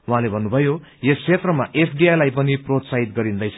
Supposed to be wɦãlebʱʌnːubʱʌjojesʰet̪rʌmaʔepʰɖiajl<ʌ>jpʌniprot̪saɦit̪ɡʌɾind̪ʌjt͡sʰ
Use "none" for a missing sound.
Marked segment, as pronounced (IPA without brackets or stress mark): a